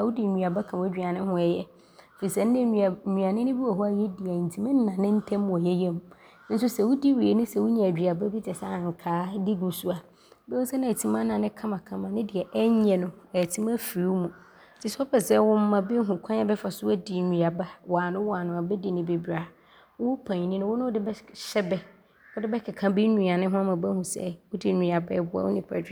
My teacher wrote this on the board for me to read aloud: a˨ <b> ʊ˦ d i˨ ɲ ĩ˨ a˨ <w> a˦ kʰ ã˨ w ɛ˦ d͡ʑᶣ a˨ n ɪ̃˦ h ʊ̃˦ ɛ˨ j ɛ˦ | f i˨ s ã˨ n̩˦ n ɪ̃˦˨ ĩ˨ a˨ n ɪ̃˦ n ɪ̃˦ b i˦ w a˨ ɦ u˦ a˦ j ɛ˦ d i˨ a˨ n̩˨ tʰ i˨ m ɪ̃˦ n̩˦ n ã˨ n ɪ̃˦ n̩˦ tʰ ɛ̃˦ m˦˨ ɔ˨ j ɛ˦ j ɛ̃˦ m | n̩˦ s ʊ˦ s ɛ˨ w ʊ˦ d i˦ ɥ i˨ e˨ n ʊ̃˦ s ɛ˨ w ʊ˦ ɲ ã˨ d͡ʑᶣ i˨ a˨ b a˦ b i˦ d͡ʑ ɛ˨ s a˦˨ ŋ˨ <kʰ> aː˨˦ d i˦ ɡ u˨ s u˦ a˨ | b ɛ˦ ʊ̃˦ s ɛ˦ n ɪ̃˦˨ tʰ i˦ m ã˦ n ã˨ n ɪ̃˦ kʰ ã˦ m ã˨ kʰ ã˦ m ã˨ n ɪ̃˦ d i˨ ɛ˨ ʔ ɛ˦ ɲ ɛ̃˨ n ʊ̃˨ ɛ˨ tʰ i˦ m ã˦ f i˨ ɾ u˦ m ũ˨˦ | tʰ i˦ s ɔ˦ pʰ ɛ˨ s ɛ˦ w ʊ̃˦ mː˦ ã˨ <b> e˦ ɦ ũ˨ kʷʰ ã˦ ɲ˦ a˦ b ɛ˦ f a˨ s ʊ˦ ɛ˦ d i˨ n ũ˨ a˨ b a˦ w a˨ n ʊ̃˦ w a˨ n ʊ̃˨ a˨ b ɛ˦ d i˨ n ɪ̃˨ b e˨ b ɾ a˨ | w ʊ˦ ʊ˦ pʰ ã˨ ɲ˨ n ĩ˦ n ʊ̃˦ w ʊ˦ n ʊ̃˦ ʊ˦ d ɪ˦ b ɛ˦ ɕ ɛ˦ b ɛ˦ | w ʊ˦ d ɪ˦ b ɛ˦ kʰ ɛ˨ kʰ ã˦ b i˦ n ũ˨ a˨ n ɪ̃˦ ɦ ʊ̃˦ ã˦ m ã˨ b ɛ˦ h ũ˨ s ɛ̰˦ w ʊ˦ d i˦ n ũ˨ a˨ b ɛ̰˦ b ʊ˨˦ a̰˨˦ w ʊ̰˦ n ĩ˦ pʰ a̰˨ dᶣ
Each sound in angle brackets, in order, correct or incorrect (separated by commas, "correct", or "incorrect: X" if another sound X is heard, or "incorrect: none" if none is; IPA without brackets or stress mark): incorrect: w, incorrect: b, correct, correct